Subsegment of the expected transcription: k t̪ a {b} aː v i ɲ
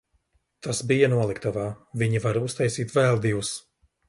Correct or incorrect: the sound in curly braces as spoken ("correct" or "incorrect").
incorrect